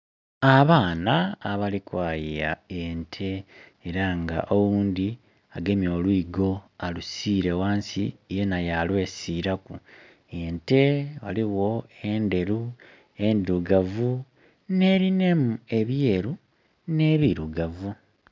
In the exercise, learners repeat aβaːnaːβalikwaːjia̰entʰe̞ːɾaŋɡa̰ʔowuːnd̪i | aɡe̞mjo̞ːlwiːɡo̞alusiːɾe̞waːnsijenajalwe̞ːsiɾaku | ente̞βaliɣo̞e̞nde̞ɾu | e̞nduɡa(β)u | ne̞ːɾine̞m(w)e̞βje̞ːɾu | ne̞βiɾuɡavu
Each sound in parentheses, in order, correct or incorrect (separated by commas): incorrect, incorrect